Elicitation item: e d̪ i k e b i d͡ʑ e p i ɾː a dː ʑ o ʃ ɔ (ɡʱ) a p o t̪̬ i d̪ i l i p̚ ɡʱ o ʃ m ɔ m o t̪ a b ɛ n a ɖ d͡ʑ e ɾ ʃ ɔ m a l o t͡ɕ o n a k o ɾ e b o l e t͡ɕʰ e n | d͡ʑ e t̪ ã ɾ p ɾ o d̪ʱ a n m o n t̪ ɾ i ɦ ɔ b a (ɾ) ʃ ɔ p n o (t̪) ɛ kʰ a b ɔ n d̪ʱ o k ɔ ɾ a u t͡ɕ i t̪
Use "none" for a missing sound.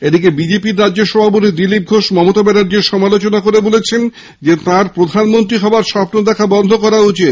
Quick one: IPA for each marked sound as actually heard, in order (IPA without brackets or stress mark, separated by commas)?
bʱ, ɾ, d̪